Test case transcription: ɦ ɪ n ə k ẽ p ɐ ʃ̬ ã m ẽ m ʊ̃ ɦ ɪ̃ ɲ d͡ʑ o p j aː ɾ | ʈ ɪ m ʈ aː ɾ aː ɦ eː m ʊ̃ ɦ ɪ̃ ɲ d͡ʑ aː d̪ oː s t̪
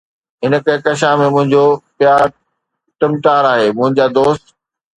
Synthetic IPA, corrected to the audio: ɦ ɪ n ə k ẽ k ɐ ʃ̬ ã m ẽ m ʊ̃ ɦ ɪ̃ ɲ d͡ʑ o p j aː ɾ | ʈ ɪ m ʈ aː ɾ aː ɦ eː m ʊ̃ ɦ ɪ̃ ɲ d͡ʑ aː d̪ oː s t̪